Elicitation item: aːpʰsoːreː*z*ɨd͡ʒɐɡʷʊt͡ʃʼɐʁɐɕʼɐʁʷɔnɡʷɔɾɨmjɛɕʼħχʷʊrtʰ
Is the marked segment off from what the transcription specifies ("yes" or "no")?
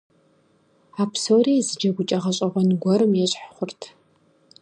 no